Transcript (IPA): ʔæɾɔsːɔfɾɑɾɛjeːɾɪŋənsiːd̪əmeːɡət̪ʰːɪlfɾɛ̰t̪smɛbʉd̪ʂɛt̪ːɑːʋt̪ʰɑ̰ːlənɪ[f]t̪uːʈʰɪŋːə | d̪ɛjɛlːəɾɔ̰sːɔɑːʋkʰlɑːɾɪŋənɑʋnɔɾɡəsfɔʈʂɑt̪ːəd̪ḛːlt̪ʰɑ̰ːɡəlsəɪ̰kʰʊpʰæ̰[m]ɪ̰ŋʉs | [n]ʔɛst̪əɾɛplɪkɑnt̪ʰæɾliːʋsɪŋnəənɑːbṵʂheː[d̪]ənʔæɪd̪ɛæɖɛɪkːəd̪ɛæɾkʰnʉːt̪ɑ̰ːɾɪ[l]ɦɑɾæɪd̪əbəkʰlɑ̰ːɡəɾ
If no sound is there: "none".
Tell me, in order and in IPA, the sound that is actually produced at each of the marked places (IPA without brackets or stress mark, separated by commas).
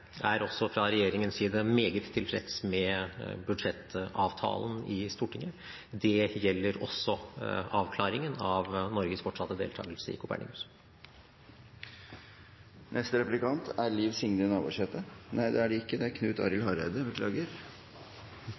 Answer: s, ɳ, n, t̪, l